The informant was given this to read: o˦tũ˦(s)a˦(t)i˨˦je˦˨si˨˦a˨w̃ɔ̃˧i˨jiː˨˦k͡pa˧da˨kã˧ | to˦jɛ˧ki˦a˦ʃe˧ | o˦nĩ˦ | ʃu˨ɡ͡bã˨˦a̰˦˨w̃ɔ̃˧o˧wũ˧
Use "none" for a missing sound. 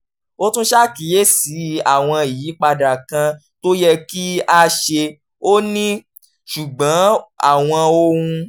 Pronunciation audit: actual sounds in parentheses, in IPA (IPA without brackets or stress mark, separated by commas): ʃ, k